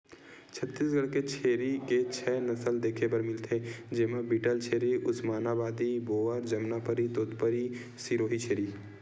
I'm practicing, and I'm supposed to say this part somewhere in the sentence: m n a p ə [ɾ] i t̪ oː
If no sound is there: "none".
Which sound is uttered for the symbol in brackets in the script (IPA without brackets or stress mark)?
ɾ